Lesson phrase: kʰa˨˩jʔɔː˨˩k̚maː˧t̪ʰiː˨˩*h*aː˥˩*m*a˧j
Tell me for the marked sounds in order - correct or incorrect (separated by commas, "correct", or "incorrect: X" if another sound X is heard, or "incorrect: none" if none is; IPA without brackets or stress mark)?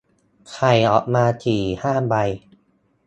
correct, incorrect: b